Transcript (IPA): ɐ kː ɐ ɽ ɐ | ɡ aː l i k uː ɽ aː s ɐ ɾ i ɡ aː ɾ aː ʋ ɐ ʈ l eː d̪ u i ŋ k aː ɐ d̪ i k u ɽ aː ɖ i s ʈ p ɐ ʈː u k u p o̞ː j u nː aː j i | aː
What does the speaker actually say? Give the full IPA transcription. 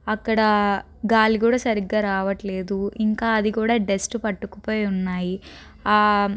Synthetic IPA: ɐ kː ɐ ɽ ɐ | ɡ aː l i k uː ɽ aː s ɐ ɾ i ɡ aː ɾ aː ʋ ɐ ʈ l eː d̪ u i ŋ k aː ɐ d̪ i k uː ɽ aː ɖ e s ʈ p ɐ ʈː u k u p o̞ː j u nː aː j i | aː